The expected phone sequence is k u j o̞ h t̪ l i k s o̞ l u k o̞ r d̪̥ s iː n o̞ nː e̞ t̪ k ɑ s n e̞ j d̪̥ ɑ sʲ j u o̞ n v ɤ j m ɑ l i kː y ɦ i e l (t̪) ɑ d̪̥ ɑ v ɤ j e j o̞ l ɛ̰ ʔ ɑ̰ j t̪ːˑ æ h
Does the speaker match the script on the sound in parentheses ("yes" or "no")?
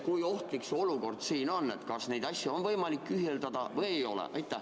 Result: no